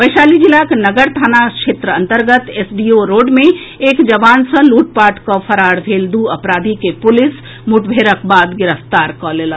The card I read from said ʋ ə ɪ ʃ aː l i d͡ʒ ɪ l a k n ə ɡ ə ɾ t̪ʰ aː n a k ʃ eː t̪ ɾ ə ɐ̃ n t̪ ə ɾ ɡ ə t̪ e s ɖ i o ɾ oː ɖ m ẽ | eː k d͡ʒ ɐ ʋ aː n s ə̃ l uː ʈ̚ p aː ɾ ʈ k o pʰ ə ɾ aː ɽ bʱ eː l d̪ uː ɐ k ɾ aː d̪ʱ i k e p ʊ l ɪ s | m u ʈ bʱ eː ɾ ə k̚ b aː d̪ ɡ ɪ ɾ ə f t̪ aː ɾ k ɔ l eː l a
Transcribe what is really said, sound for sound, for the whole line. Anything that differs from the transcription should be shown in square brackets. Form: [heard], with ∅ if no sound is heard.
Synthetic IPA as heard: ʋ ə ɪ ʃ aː l i d͡ʒ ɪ l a k n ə ɡ ə ɾ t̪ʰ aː n a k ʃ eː t̪ ɾ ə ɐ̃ n t̪ ə ɾ ɡ ə t̪ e s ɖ i o ɾ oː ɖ m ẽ | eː k d͡ʒ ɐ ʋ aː n s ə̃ l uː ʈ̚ p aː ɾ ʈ k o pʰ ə ɾ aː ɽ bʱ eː l d̪ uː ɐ [p] ɾ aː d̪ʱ i k e p ʊ l ɪ s | m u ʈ bʱ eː ɾ ə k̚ b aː d̪ ɡ ɪ ɾ ə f t̪ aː ɾ k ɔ l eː l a